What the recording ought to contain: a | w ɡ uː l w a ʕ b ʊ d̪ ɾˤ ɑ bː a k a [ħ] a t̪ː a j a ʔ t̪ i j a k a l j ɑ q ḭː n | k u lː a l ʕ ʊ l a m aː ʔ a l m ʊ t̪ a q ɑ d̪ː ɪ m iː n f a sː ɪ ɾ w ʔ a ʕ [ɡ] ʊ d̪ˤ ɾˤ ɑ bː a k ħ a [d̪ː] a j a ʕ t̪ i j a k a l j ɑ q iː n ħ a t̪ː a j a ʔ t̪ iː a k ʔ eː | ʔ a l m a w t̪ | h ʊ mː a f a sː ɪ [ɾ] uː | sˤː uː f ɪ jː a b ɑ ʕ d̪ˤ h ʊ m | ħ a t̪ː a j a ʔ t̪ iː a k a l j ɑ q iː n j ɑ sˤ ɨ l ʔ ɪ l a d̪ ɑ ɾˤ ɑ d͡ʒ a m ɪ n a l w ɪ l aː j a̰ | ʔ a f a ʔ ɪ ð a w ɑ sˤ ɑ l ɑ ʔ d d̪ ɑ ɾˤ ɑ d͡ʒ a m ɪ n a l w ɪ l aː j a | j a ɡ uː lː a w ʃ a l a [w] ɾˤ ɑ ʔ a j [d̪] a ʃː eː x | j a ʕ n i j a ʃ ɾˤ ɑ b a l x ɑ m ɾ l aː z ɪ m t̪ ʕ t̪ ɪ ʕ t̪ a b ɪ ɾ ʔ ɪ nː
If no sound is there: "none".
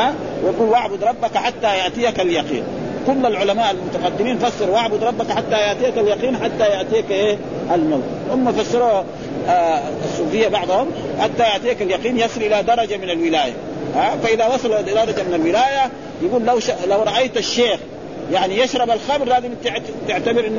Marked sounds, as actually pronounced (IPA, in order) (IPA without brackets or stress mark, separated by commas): ħ, b, t̪ː, ɾ, w, t̪